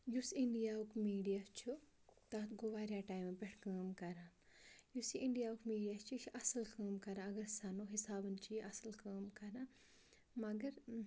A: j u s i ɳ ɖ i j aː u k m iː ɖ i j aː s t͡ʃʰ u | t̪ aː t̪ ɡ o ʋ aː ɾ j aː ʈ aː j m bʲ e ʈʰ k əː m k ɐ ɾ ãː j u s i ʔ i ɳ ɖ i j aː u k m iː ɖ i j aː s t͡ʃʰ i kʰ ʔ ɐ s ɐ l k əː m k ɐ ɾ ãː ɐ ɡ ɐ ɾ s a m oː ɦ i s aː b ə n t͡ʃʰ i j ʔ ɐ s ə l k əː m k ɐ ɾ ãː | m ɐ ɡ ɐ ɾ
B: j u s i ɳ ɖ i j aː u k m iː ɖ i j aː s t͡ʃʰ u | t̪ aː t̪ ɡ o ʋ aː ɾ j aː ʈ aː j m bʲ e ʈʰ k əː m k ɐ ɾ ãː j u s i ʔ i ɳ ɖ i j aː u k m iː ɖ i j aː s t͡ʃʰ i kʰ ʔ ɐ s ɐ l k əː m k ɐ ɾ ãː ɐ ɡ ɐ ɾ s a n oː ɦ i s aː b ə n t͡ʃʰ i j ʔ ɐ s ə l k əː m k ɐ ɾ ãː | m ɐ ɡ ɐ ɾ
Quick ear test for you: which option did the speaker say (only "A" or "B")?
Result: B